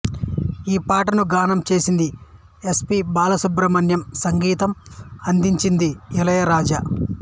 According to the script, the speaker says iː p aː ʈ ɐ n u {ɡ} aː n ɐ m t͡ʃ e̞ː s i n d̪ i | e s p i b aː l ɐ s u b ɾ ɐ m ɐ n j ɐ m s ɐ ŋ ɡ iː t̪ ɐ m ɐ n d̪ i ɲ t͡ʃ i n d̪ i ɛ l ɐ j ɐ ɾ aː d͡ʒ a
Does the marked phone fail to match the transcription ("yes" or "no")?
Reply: no